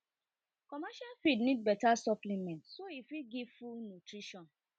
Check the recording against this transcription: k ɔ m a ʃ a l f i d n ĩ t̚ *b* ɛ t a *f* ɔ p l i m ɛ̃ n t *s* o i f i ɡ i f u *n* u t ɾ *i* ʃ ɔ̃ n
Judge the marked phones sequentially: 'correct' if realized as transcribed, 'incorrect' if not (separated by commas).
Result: correct, incorrect, correct, correct, correct